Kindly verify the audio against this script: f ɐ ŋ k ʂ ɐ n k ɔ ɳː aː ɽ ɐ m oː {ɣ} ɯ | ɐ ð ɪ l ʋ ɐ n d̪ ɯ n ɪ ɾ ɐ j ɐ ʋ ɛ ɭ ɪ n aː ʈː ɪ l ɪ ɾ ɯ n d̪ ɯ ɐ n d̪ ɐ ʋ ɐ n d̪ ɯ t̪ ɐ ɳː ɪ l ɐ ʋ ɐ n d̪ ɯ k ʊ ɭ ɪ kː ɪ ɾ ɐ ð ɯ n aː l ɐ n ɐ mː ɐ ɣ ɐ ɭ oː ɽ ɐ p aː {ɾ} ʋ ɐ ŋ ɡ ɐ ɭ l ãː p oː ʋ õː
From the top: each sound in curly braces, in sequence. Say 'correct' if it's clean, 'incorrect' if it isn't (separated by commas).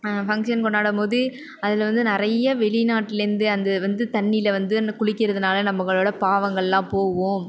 incorrect, incorrect